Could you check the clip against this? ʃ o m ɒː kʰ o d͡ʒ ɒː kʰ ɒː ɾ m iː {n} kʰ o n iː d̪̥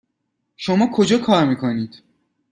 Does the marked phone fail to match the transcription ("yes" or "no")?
yes